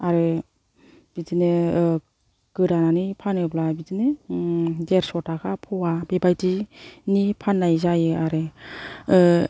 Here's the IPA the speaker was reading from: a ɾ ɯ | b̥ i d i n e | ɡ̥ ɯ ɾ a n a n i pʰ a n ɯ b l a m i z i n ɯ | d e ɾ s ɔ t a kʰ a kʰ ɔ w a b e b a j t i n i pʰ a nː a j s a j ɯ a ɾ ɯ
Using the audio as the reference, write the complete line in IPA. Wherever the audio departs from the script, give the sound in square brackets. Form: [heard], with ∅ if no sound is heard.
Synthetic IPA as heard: a ɾ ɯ | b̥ i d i n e | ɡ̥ ɯ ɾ a n a n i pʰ a n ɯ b l a [b] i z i n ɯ | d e ɾ s ɔ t a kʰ a [pʰ] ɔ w a b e b a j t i n i pʰ a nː a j [z] a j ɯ a ɾ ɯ